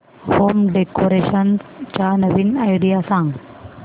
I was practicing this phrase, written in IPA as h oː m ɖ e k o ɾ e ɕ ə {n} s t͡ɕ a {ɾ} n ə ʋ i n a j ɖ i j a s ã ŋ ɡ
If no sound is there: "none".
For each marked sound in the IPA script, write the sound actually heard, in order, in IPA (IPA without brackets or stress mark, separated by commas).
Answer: n, none